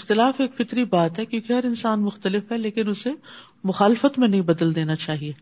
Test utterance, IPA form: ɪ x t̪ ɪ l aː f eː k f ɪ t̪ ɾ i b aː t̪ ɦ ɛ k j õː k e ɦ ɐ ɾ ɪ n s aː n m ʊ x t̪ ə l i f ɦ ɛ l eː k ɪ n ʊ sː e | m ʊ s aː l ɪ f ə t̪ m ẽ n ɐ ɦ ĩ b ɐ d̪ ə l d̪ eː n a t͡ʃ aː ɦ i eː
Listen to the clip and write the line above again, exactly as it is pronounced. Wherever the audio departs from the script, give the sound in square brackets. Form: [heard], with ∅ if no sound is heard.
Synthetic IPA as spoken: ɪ x t̪ ɪ l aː f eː k f ɪ t̪ ɾ i b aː t̪ ɦ ɛ k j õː k e ɦ ɐ ɾ ɪ n s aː n m ʊ x t̪ ə l [ɪ] f ɦ ɛ l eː k ɪ n ʊ [s] e | m ʊ [x] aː l ɪ f ə t̪ m ẽ n ɐ ɦ ĩ b ɐ d̪ ə l d̪ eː n a t͡ʃ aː ɦ i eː